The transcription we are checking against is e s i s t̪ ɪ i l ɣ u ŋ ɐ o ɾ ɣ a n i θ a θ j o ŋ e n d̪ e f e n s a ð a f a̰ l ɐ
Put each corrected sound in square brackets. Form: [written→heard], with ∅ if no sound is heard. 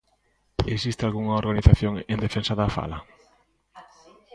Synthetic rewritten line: e s i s t̪ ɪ [i→a] l ɣ u ŋ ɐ o ɾ ɣ a n i θ a θ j o ŋ e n d̪ e f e n s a ð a f a̰ l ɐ